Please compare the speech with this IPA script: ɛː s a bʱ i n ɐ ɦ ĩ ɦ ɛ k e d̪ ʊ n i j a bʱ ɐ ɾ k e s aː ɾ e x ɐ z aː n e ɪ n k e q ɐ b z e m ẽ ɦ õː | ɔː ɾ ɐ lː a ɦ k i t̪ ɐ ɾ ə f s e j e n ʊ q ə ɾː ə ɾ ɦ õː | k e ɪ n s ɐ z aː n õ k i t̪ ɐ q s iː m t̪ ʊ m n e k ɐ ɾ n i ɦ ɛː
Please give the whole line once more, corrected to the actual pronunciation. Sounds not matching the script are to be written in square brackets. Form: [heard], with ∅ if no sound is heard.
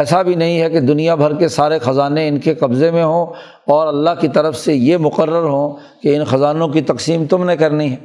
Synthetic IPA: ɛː s a bʱ i n ɐ ɦ ĩ ɦ ɛ k e d̪ ʊ n i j a bʱ ɐ ɾ k e s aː ɾ e x ɐ z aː n e ɪ n k e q ɐ b z e m ẽ ɦ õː | ɔː ɾ ɐ lː a ɦ k i t̪ ɐ ɾ ə f s e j e [m] ʊ q ə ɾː ə ɾ ɦ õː | k e ɪ n [x] ɐ z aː n õ k i t̪ ɐ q s iː m t̪ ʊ m n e k ɐ ɾ n i ɦ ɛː